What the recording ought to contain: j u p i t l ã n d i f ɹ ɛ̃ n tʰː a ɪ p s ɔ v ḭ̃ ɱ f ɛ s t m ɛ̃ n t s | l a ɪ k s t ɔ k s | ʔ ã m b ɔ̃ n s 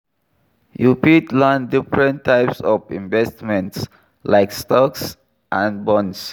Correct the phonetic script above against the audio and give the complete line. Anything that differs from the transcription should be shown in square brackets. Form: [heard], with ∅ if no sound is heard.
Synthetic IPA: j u p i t l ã n d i f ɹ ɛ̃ n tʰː a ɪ p s ɔ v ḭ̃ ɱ [v] ɛ s t m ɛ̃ n t s | l a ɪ k s t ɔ k s | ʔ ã [n] b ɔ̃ n s